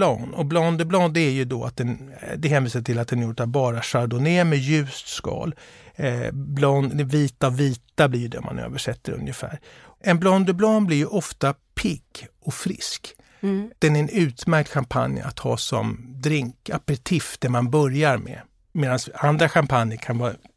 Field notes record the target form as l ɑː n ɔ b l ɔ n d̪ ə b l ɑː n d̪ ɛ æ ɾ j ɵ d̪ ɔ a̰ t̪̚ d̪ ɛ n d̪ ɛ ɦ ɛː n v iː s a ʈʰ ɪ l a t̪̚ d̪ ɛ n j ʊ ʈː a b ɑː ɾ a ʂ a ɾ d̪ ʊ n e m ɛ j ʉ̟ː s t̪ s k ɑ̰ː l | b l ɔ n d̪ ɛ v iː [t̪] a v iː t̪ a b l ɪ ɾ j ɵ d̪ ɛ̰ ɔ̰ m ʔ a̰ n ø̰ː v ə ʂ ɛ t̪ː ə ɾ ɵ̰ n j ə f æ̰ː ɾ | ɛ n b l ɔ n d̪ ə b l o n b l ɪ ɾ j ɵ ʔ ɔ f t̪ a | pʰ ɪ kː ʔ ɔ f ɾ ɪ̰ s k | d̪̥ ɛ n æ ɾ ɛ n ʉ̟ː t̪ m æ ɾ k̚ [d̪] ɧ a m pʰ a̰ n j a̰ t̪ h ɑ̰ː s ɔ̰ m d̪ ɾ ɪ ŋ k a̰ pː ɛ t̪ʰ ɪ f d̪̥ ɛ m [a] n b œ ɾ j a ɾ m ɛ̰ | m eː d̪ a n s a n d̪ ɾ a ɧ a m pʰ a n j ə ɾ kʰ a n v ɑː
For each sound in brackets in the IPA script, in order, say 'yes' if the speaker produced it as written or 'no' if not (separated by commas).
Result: yes, no, yes